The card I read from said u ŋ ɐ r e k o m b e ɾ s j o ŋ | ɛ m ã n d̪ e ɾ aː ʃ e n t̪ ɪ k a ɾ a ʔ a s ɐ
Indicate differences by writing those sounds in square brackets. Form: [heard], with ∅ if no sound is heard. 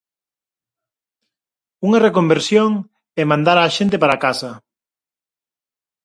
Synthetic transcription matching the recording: u ŋ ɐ r e k o m b e ɾ s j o ŋ | ɛ m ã n d̪ [a] ɾ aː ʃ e n t̪ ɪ [p] a ɾ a [k] a s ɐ